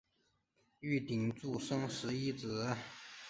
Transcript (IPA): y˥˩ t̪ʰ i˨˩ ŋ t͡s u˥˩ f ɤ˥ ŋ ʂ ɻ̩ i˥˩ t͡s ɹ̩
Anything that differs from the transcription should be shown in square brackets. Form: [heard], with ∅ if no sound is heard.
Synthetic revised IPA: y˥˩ [t̪] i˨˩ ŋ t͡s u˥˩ [ʂ] ɤ˥ ŋ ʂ ɻ̩ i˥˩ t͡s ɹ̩